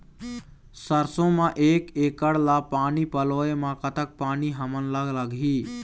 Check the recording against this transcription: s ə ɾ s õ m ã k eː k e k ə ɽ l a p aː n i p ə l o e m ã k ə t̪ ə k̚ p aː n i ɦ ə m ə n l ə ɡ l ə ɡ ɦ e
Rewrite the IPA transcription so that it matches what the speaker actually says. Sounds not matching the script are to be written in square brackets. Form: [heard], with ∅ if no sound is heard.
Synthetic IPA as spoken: s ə ɾ s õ m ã [ʔ] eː k e k ə ɽ l a p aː n i p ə l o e m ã k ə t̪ ə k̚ p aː n i ɦ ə m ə n l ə ɡ l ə ɡ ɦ [i]